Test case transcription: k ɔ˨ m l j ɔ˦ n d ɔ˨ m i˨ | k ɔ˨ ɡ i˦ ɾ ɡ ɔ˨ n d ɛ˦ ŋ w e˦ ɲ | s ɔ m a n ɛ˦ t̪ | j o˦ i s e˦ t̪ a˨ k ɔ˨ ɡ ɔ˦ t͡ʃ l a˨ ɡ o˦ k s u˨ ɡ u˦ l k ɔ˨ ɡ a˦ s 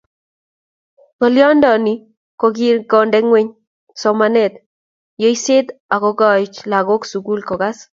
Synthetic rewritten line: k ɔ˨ l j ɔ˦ n d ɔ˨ n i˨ | k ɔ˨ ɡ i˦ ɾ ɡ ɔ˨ n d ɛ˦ ŋ w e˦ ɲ | s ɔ m a n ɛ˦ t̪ | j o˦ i s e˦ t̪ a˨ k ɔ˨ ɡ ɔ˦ t͡ʃ l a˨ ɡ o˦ k s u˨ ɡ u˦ l k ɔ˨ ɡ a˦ s